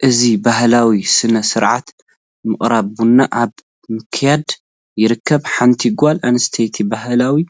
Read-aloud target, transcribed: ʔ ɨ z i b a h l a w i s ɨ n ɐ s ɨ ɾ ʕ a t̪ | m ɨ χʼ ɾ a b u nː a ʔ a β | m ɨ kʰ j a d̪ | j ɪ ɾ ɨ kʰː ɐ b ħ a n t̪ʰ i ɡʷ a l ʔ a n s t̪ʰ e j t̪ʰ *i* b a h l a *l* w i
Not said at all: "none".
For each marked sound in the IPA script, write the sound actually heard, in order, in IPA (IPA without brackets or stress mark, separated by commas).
i, none